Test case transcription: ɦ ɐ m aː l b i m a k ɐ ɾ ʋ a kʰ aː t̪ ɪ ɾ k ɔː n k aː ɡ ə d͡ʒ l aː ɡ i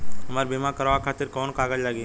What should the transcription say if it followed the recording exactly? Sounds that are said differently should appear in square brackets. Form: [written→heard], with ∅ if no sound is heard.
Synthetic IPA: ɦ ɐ m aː [l→ɾ] b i m a k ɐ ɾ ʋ a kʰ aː t̪ ɪ ɾ k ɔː n k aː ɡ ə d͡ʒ l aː ɡ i